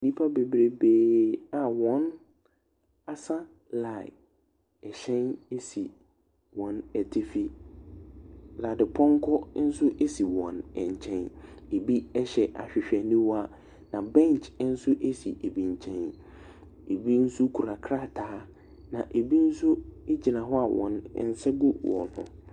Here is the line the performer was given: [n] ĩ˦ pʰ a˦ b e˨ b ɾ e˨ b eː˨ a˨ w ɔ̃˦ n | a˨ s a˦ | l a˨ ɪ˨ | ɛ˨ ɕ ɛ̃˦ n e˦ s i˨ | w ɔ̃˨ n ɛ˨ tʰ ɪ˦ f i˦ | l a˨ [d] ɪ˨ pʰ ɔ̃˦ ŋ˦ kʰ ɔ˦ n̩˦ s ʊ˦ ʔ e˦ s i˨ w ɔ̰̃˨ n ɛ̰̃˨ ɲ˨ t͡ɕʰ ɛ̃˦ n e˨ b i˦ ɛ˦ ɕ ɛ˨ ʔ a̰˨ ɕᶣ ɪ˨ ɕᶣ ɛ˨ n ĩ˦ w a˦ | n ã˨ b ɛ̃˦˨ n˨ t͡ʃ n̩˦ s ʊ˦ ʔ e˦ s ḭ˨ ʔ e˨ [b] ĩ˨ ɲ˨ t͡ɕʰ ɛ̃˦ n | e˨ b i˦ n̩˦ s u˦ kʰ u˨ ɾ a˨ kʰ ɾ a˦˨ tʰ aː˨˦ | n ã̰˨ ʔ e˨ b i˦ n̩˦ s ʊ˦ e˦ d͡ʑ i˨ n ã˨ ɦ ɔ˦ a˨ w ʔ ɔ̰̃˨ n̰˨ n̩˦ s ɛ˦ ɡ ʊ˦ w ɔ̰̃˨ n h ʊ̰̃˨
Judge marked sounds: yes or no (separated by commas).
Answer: yes, yes, yes